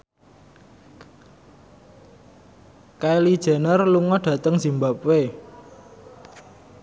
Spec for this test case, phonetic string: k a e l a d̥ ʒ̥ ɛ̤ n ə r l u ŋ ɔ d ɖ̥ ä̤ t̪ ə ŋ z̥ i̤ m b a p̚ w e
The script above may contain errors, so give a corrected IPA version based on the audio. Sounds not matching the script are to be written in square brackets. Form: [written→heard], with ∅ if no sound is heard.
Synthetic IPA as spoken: k a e l [a→i] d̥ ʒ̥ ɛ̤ n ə r l u ŋ ɔ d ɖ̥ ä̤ t̪ ə ŋ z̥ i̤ m b a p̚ w e